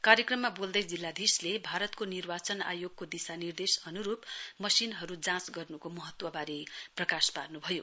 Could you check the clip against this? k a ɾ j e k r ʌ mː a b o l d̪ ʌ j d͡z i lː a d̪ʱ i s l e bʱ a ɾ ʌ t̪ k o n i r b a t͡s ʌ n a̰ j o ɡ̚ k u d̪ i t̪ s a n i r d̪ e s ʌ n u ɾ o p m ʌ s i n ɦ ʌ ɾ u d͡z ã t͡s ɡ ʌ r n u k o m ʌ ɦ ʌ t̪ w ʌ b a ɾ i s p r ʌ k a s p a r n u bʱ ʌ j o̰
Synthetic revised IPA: k a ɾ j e k r ʌ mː a b o l d̪ ʌ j d͡z i lː a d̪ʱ i s l e bʱ a ɾ ʌ t̪ k o n i r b a t͡s ʌ n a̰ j o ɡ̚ k o d̪ i s a n i r d̪ e s ʌ n u ɾ u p m ʌ s i n ɦ ʌ ɾ u d͡z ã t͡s ɡ ʌ r n u k o m ʌ ɦ ʌ t̪ w ʌ b a ɾ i p r ʌ k a s p a r n u bʱ ʌ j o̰

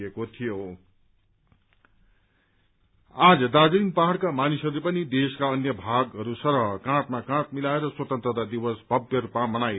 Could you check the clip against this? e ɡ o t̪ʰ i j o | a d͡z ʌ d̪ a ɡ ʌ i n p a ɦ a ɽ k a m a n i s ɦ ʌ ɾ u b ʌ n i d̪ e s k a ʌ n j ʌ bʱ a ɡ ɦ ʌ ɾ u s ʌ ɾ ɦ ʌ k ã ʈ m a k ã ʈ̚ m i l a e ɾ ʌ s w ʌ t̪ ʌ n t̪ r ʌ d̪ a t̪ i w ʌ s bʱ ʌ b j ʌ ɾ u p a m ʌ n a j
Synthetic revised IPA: e k o t̪ʰ i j o | a d͡z ʌ d̪ a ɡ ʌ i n p a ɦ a ɽ k a m a n i s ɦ ʌ ɾ u p ʌ n i d̪ e s k a ʌ n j ʌ bʱ a ɡ ɦ ʌ ɾ u s ʌ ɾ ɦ ʌ k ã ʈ m a k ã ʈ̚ m i l a e ɾ ʌ s w ʌ t̪ ʌ n t̪ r ʌ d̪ a d̪ i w ʌ s bʱ ʌ b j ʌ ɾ u p a m ʌ n a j

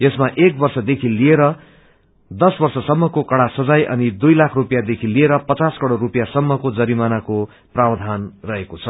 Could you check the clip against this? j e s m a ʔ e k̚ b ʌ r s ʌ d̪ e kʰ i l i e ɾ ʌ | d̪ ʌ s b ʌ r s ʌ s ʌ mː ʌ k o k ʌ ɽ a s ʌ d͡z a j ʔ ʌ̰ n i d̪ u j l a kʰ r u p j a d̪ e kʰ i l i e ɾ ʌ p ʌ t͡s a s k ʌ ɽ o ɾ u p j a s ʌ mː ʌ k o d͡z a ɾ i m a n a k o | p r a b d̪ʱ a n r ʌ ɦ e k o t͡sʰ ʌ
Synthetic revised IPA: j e s m a ʔ e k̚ b ʌ r s ʌ d̪ e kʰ i l i e ɾ ʌ | d̪ ʌ s b ʌ r s ʌ s ʌ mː ʌ k o k ʌ ɽ a s ʌ d͡z a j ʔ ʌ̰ n i d̪ u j l a kʰ r u p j a d̪ e kʰ i l i e ɾ ʌ p ʌ t͡s a s k ʌ ɽ o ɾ u p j a s ʌ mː ʌ k o d͡z ʌ ɾ i m a n a k o | p r a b d̪ʱ a n r ʌ ɦ e k o t͡sʰ ʌ

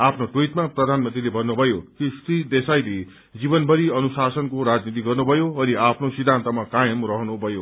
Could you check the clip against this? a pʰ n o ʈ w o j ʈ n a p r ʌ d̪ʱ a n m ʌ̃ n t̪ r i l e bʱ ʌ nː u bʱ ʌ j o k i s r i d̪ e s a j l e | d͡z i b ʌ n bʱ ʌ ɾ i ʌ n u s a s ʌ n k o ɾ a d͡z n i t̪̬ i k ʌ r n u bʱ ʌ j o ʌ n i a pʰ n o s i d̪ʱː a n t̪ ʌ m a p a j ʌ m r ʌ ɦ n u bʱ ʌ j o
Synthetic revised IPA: a pʰ n o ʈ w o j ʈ m a p r ʌ d̪ʱ a n m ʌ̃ n t̪ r i l e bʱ ʌ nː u bʱ ʌ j o k i s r i d̪ e s a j l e | d͡z i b ʌ n bʱ ʌ ɾ i ʌ n u s a s ʌ n k o ɾ a d͡z n i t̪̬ i ɡ ʌ r n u bʱ ʌ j o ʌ n i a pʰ n o s i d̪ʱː a n t̪ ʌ m a k a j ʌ m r ʌ ɦ n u bʱ ʌ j o

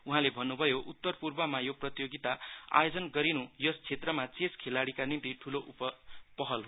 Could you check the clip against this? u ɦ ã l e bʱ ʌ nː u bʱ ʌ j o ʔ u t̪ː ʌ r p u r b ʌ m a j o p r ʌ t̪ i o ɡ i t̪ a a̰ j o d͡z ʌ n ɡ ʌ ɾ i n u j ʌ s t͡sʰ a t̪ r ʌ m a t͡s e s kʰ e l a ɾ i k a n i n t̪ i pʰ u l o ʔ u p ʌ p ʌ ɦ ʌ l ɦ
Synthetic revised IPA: u ɦ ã l e bʱ ʌ nː u bʱ ʌ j o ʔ u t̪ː ʌ r p u r b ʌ m a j o p r ʌ t̪ j o ɡ i t̪ a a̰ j o d͡z ʌ n ɡ ʌ ɾ i n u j ʌ s t͡sʰ e t̪ r ʌ m a t͡s e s kʰ e l a ɽ i k a n i n t̪ i ʈʰ u l o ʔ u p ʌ p ʌ ɦ ʌ l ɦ

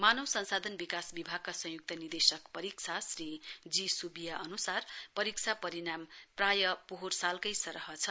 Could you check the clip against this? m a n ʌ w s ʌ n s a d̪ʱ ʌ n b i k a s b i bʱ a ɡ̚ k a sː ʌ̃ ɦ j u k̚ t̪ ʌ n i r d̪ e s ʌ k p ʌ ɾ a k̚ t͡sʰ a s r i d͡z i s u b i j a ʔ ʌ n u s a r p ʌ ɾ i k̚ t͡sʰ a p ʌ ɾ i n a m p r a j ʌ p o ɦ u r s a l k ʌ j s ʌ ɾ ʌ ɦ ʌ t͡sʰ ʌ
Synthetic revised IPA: m a n ʌ w s ʌ n s a d̪ʱ ʌ n b i k a s b i bʱ a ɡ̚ k a s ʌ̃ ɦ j u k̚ t̪ ʌ n i r d̪ e s ʌ k p ʌ ɾ i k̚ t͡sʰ a s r i d͡z i s u b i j a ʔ ʌ n u s a r p ʌ ɾ i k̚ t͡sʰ a p ʌ ɾ i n a m p r a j ʌ p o ɦ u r s a l k ʌ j s ʌ ɾ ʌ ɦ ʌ t͡sʰ ʌ

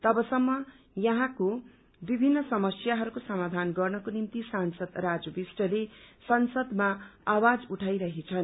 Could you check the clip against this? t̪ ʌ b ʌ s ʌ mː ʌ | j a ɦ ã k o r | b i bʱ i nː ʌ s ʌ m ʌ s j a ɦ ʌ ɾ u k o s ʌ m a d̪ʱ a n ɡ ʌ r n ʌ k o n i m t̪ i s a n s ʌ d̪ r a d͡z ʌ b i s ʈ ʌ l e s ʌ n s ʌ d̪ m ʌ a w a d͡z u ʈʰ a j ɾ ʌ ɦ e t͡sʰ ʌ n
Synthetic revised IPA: t̪ ʌ b ʌ s ʌ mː ʌ | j ʌ ɦ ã k o | b i bʱ i nː ʌ s ʌ m ʌ s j a ɦ ʌ ɾ u k o s ʌ m a d̪ʱ a n ɡ ʌ r n ʌ k o n i m t̪ i s a n s ʌ d̪ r a d͡z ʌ b i s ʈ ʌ l e s ʌ n s ʌ d̪ m a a w a d͡z u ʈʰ a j ɾ ʌ ɦ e t͡sʰ ʌ n

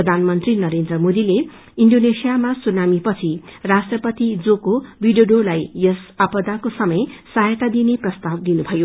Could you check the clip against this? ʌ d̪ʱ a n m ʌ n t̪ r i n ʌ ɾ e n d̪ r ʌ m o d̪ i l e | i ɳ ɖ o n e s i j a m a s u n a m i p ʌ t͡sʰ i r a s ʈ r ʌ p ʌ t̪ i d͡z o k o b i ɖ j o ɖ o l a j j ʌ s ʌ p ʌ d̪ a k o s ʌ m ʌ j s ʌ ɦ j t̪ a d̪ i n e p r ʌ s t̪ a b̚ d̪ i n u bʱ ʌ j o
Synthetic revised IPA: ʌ d̪ʱ a n m ʌ n t̪ r i n ʌ ɾ e n d̪ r ʌ m o d̪ i l e | i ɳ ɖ o n e s i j a m a s u n a m i p ʌ t͡sʰ i r a s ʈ r ʌ p ʌ t̪ i d͡z o k o b i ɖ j o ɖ o l a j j ʌ s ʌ p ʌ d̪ a k o s ʌ m ʌ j s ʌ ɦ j t̪ a d̪ i n e p r ʌ s t̪ a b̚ d̪ i n u bʱ ʌ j o

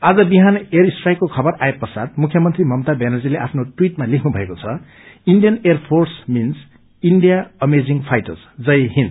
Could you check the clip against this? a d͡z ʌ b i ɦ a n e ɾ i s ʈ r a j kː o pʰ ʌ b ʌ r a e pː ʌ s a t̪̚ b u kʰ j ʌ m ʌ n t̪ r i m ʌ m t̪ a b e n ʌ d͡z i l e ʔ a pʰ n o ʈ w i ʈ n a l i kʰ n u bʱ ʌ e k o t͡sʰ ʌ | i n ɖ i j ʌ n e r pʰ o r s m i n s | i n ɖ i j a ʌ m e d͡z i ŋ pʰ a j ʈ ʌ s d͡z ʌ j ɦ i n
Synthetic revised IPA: a d͡z ʌ b i ɦ a n e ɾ i s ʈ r a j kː o kʰ ʌ b ʌ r a e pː ʌ s a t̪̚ m u kʰ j ʌ m ʌ n t̪ r i m ʌ m t̪ a b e n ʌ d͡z i l e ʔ a pʰ n o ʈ w i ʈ m a l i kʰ n u bʱ ʌ e k o t͡sʰ ʌ | i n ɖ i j ʌ n e r pʰ o r s m i n s | i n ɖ i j a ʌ m e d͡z i ŋ pʰ a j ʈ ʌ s d͡z ʌ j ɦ i n

